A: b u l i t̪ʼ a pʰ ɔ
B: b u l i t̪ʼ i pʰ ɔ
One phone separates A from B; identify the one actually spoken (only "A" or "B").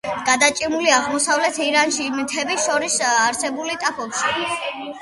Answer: A